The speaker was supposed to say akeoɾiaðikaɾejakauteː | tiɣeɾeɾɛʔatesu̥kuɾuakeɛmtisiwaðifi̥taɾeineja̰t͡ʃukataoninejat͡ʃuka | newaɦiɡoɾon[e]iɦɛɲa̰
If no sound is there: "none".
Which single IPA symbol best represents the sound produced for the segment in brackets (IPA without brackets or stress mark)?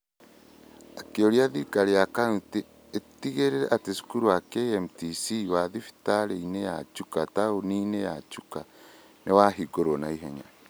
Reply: a